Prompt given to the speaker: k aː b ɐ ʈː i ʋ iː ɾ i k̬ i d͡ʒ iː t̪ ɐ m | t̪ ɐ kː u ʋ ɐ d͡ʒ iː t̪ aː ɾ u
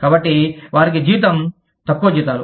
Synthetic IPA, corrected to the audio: k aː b ɐ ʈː i ʋ aː ɾ i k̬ i d͡ʒ iː t̪ ɐ m | t̪ ɐ kː u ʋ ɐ d͡ʒ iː t̪ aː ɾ u